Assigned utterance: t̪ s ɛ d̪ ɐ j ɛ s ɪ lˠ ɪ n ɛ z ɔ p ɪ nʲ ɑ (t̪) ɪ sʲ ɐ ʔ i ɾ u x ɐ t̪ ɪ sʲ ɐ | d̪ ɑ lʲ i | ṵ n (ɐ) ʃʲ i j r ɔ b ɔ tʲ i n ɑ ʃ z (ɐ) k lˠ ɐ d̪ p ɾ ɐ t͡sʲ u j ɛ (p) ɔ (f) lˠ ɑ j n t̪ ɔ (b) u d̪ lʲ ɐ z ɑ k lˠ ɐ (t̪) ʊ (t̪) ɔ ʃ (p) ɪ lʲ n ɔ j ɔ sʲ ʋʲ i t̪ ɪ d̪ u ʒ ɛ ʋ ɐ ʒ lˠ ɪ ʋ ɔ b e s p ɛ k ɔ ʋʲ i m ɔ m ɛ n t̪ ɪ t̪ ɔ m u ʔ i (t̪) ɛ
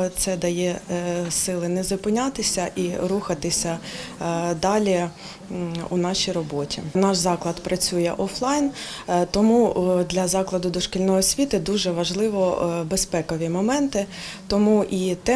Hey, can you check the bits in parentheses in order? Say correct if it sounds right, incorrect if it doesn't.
correct, incorrect: ɑ, incorrect: ɑ, incorrect: ʔ, correct, incorrect: m, incorrect: d̪, incorrect: d̪, incorrect: k, correct

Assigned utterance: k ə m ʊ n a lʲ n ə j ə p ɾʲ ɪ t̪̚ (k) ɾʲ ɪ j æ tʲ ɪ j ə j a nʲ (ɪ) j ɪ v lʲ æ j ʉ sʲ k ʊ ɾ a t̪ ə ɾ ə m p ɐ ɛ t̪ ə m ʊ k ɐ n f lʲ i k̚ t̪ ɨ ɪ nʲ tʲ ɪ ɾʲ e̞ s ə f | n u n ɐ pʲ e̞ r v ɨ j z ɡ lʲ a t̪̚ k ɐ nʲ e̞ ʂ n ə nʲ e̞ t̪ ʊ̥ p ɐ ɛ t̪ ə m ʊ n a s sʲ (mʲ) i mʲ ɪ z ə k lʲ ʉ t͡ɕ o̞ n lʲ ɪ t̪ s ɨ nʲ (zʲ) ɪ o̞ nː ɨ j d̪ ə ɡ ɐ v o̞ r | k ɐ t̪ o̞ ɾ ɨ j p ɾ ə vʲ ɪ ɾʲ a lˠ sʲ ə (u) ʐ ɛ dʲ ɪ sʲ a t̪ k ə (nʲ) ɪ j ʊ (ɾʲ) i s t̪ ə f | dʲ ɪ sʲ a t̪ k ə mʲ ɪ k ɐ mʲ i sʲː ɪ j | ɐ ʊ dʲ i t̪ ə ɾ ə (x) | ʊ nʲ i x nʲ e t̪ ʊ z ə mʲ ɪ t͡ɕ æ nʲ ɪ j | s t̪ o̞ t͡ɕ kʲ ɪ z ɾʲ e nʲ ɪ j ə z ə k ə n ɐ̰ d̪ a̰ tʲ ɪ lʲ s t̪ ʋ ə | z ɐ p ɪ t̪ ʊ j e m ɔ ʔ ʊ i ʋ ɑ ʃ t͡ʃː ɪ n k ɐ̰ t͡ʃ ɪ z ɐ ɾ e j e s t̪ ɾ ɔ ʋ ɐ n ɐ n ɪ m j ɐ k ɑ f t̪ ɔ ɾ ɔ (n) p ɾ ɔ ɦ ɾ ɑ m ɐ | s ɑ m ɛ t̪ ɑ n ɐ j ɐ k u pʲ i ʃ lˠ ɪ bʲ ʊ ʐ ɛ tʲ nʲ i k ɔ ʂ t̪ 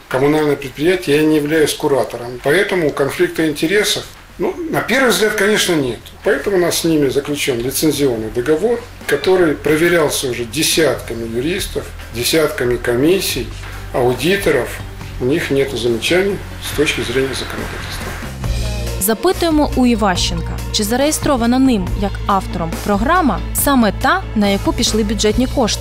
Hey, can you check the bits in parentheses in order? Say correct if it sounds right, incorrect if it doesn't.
incorrect: p, correct, incorrect: nʲ, correct, incorrect: ʊ, incorrect: mʲ, correct, incorrect: f, incorrect: m

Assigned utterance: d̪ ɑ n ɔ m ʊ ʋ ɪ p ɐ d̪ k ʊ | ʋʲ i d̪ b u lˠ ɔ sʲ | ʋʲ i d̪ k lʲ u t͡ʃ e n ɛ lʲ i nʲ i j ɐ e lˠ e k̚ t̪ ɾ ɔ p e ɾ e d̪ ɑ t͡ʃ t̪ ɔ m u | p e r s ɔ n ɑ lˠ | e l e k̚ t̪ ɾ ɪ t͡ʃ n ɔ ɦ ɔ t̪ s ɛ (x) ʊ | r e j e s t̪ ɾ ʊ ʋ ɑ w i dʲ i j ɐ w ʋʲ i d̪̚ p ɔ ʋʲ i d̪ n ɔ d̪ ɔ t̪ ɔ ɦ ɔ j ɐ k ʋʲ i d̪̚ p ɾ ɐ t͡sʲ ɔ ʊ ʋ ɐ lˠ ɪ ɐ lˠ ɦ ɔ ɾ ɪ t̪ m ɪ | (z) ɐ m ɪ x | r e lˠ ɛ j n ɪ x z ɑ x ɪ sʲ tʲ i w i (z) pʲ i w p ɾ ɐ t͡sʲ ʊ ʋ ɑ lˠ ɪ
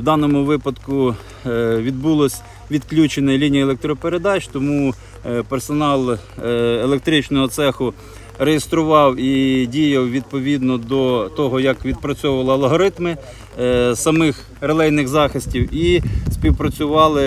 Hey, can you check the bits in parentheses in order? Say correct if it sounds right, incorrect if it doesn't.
correct, incorrect: s, incorrect: s

